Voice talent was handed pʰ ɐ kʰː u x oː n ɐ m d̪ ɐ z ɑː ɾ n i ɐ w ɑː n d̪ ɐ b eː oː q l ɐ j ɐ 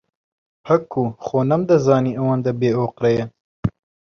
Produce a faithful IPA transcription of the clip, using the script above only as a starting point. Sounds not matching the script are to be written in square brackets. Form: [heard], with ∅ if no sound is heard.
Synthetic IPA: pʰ ɐ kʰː u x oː n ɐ m d̪ ɐ z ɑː [∅] n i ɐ w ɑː n d̪ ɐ b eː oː q [ɾ] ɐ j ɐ